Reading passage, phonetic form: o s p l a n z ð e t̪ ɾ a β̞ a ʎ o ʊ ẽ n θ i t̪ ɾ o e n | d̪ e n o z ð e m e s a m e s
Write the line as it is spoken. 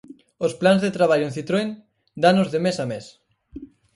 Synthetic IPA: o s p l a n z ð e t̪ ɾ a β̞ a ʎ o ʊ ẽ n θ i t̪ ɾ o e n | d̪ a n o z ð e m e s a m e s